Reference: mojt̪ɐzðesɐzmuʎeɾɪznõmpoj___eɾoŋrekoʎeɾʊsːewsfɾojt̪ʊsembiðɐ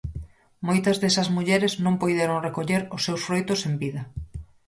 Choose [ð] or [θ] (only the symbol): ð